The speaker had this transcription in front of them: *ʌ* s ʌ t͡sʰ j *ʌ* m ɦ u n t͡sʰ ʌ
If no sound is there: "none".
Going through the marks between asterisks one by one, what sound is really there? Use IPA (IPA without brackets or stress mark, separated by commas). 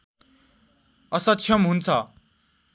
ʌ, ʌ